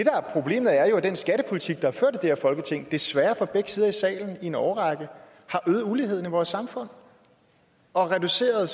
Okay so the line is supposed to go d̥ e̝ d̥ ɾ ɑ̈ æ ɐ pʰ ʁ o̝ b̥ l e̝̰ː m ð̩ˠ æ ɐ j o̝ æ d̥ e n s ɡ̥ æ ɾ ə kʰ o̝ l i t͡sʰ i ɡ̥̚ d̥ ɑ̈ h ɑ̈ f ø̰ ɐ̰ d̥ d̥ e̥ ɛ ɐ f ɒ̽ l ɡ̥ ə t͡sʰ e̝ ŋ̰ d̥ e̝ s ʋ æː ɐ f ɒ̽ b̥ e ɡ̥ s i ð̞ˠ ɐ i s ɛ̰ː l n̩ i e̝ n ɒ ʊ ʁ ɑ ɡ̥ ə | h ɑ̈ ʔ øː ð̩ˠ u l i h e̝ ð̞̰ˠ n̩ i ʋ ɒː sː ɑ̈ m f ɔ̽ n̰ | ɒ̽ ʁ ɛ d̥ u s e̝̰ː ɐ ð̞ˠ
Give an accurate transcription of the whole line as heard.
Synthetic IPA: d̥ e̝ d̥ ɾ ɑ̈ æ ɐ pʰ ʁ o̝ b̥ l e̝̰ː m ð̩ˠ æ ɐ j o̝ æ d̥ e n s ɡ̥ æ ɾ ə pʰ o̝ l i t͡sʰ i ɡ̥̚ d̥ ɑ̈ h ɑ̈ f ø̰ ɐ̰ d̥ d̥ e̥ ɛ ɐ f ɒ̽ l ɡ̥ ə t͡sʰ e̝ ŋ̰ d̥ e̝ s ʋ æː ɐ f ɒ̽ b̥ e ɡ̥ s i ð̞ˠ ɐ i s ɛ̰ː l n̩ i e̝ n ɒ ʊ ʁ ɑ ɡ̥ ə | h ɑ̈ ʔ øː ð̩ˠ u l i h e̝ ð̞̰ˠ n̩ i ʋ ɒː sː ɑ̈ m f ɔ̽ n̰ | ɒ̽ ʁ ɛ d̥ u s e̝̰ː ɐ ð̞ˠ